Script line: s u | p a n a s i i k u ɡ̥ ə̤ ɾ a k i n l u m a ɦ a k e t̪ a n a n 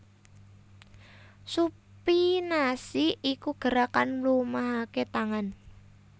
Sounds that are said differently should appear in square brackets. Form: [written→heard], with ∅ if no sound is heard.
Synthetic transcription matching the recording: s u | p [a→i] n a s i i k u ɡ̥ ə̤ ɾ a k [i→a] n l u m a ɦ a k e t̪ a [n→ŋ] a n

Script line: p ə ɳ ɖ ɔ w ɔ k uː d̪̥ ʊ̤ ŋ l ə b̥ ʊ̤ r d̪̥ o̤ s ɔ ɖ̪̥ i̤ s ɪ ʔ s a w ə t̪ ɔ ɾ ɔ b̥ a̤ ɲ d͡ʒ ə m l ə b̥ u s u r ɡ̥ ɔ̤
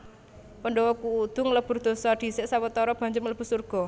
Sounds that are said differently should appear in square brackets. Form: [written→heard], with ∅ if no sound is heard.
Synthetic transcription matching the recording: p ə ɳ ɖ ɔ w ɔ k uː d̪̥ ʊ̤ ŋ l ə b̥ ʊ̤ r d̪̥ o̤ s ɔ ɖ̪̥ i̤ s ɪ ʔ s a w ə t̪ ɔ ɾ ɔ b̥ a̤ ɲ d͡ʒ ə m l ə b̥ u s u r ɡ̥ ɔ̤

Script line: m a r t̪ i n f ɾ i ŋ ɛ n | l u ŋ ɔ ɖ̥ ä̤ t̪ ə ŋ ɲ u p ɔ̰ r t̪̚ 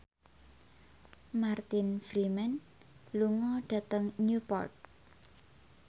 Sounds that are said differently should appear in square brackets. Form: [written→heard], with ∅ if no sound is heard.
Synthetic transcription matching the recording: m a r t̪ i n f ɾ i [ŋ→m] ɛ n | l u ŋ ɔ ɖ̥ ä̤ t̪ ə ŋ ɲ u p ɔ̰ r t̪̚

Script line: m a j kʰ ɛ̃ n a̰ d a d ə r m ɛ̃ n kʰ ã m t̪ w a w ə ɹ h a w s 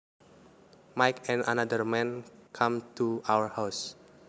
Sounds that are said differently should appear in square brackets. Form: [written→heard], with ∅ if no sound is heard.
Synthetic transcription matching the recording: m a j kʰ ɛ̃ n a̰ [d→n] a d ə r m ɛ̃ n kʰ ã m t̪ [w→u] a w ə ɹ h a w s

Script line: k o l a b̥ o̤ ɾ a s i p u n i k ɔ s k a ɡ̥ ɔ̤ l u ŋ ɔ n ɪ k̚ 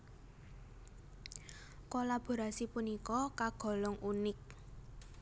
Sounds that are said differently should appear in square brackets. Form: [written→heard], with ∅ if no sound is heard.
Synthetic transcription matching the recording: k o l a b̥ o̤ ɾ a s i p u n i k ɔ [s→∅] k a ɡ̥ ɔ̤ l [u→ɔ] ŋ [ɔ→u] n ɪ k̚

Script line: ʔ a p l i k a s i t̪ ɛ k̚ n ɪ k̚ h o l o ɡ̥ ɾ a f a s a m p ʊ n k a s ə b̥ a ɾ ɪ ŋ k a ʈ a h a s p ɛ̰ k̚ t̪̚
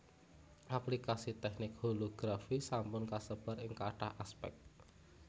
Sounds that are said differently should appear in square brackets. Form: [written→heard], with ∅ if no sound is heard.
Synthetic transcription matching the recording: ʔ a p l i k a s i t̪ ɛ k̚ n ɪ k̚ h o l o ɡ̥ ɾ a f [a→i] s a m p ʊ n k a s ə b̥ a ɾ ɪ ŋ k a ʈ a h a s p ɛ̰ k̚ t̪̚

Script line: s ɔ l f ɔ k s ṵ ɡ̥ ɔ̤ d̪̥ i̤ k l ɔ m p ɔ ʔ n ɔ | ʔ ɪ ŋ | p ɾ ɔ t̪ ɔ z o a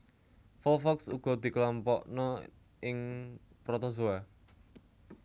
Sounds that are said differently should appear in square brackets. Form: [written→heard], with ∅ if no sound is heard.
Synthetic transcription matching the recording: [s→f] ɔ l f ɔ k s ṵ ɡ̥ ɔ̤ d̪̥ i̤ k l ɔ m p ɔ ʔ n ɔ | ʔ ɪ ŋ | p ɾ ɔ t̪ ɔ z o a

